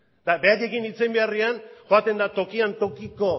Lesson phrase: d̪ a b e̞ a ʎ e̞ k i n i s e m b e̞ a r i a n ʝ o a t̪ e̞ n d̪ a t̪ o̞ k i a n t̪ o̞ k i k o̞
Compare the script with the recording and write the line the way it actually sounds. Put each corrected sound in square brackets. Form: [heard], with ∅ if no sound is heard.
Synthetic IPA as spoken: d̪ a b e̞ a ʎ e̞ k i n i [t͡s] e m b e̞ a r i a n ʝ o a t̪ e̞ n d̪ a t̪ o̞ k i a n t̪ o̞ k i k o̞